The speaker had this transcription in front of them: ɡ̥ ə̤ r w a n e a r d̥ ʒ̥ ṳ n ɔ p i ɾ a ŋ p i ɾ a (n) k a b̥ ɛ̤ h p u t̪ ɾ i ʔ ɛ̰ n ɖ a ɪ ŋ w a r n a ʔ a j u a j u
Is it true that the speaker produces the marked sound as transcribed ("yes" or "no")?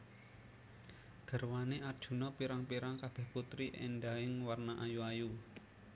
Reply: no